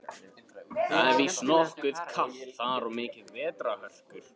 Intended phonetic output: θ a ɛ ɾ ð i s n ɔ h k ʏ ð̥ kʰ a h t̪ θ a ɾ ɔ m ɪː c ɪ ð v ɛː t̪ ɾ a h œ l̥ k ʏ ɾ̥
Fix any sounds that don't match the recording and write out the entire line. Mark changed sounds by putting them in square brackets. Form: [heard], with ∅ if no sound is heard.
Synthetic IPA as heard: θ a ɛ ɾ [v] i s n ɔ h k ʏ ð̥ kʰ a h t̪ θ a ɾ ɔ m ɪː c ɪ ð v ɛː t̪ ɾ a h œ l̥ k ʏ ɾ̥